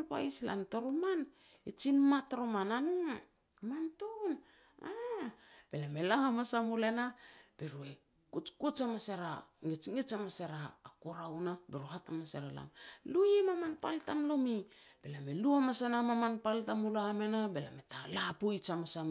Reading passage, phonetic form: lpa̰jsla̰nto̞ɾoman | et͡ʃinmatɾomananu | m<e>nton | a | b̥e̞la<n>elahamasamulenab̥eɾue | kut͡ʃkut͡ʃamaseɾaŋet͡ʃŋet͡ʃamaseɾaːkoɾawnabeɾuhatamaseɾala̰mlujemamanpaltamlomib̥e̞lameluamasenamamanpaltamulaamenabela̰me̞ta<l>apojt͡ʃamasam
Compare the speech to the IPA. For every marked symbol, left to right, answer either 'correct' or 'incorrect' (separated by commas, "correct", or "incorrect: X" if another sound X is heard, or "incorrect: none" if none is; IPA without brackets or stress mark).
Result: incorrect: a, incorrect: m, correct